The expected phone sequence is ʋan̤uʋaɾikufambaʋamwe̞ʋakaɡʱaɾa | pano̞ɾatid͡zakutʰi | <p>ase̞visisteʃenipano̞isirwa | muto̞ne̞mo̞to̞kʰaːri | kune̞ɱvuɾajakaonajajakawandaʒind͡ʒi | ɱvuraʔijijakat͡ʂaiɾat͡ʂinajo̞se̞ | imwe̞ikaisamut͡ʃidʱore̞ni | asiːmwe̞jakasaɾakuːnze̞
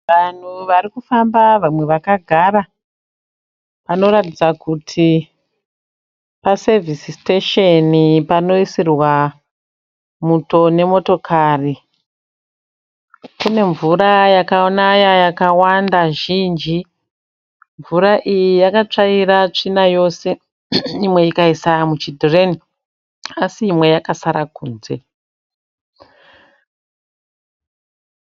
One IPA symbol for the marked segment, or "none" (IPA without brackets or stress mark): p